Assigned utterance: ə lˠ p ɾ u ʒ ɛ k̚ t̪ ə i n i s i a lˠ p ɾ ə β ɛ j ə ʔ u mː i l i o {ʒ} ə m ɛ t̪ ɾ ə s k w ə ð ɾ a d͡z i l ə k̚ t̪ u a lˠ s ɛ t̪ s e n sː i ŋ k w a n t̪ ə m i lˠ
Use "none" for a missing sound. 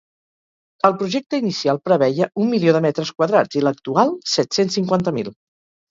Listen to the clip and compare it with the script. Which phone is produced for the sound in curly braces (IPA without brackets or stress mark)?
ð